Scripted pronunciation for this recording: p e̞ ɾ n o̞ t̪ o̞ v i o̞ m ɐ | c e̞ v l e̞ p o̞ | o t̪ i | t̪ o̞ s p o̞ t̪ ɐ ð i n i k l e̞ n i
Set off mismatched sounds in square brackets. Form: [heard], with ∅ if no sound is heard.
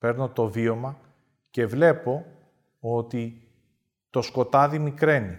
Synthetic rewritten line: p e̞ ɾ n o̞ t̪ o̞ v i o̞ m ɐ | c e̞ v l e̞ p o̞ | o t̪ i | t̪ o̞ s [k] o̞ t̪ ɐ ð i [m] i k [ɾ] e̞ n i